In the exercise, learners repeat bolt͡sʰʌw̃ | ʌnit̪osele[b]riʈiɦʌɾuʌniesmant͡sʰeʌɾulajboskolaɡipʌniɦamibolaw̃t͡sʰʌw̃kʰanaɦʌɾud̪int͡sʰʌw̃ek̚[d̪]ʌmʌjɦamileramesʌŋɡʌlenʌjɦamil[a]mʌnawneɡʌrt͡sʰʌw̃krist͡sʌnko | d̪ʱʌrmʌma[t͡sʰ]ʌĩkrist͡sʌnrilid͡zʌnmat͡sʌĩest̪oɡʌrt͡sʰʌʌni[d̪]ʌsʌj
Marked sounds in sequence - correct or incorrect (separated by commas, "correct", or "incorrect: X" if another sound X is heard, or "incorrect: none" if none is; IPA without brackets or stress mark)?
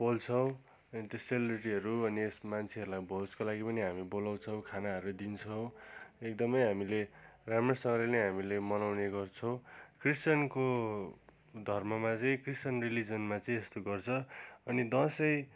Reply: correct, correct, incorrect: e, incorrect: t͡s, correct